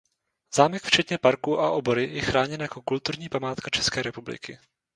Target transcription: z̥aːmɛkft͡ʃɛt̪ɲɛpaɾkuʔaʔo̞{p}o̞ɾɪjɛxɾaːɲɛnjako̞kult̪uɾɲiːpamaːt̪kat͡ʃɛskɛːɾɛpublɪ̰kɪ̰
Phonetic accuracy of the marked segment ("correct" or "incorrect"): incorrect